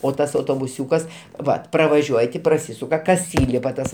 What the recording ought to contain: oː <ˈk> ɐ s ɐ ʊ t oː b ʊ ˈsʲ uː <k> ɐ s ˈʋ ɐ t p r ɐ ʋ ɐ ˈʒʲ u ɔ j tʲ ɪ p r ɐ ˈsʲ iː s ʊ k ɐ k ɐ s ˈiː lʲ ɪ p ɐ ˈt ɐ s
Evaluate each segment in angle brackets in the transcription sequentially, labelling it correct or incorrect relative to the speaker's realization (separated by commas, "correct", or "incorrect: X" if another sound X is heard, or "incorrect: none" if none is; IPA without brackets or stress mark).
incorrect: t, correct